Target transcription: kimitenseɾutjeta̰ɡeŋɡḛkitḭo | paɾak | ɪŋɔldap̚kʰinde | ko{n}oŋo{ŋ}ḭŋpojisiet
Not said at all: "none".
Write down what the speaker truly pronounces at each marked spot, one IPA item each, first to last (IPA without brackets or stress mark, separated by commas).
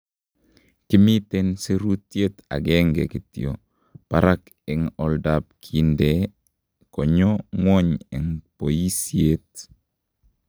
ɲ, ɲ